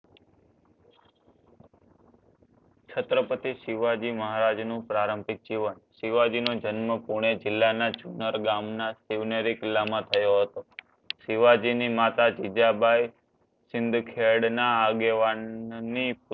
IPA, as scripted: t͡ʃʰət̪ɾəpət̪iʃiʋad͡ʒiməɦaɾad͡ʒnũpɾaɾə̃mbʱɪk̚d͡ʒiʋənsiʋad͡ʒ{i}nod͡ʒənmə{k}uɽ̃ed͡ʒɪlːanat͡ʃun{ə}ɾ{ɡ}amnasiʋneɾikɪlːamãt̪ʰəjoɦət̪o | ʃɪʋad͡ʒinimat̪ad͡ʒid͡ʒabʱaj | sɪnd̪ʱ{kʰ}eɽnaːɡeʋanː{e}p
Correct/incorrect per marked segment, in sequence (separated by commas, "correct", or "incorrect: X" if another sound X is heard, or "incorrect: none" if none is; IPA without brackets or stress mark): correct, incorrect: p, correct, correct, correct, incorrect: i